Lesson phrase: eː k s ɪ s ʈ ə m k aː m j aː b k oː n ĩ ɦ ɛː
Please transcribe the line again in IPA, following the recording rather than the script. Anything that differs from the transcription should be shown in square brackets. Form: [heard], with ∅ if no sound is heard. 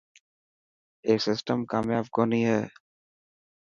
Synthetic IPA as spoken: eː k s ɪ s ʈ ə m k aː m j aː b k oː n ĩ ɦ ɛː